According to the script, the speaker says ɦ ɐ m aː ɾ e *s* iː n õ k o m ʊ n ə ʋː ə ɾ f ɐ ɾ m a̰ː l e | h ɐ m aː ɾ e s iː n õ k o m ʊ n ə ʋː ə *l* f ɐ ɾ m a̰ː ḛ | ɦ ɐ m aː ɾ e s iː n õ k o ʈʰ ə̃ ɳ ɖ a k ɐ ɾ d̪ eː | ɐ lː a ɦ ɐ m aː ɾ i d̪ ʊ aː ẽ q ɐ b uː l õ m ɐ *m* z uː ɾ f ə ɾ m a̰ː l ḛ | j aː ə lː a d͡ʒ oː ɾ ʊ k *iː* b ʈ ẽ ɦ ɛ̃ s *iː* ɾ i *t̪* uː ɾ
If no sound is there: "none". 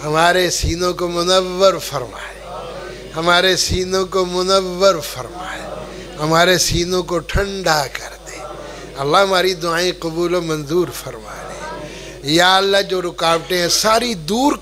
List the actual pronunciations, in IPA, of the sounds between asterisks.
s, ɾ, n, aː, aː, d̪

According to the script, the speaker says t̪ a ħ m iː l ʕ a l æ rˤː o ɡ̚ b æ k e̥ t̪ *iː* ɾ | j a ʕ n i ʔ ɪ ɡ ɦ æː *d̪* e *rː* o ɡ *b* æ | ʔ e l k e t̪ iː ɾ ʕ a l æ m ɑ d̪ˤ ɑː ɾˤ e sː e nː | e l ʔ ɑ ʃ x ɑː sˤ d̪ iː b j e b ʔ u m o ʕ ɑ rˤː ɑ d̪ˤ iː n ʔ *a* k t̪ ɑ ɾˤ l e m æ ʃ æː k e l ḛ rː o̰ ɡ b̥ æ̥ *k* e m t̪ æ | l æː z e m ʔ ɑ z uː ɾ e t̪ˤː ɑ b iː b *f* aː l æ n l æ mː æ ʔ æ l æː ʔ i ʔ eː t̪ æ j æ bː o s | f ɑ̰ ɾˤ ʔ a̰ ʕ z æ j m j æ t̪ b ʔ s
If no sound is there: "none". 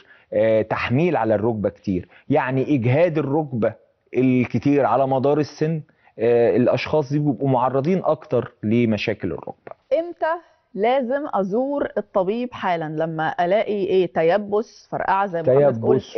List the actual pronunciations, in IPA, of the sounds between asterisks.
iː, d̪, rː, b, ɑ, ʔ, ħ

